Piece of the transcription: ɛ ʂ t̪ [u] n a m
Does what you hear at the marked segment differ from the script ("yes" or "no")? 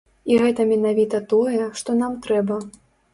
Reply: yes